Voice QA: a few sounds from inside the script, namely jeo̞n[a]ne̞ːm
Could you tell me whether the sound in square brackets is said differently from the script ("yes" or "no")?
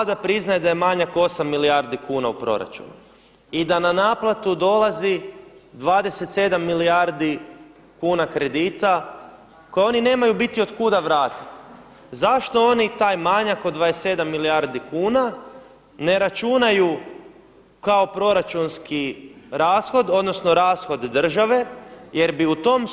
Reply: yes